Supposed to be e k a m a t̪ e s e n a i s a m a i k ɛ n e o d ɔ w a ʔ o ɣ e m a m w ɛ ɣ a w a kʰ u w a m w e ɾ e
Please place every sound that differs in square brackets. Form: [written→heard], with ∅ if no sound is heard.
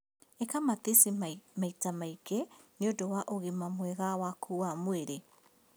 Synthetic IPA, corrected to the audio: e k a m a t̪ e s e [n→m] a i [s→t] a m a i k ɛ n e o d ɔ w a ʔ o ɣ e m a m w ɛ ɣ a w a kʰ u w a m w e ɾ e